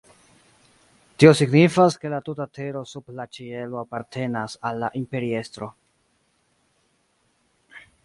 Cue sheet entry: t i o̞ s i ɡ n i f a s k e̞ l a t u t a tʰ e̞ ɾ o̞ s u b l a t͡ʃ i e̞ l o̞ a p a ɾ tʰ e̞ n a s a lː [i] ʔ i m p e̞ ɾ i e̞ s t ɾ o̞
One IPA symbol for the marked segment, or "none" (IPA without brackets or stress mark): a